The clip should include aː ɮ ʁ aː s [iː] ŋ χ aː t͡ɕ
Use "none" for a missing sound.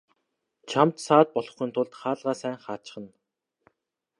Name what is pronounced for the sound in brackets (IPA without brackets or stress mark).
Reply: æː